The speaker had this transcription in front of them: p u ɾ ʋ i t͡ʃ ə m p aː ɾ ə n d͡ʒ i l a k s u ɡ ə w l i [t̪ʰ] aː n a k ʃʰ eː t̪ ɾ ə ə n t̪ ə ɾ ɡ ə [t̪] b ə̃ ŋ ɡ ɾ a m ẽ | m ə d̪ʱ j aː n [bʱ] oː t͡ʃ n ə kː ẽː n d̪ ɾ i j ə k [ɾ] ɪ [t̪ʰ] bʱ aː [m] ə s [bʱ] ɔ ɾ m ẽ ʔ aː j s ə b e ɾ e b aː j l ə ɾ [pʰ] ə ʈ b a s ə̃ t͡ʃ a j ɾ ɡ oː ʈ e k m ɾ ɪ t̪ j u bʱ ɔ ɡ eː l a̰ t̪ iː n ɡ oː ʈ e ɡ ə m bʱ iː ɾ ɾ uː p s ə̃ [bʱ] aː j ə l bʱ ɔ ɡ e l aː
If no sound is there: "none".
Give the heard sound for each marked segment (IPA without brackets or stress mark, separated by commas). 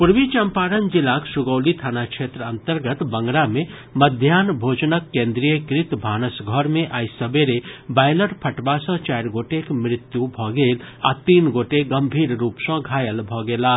t̪ʰ, t̪, bʱ, ɾ, t̪, n, ɡʱ, pʰ, ɡʱ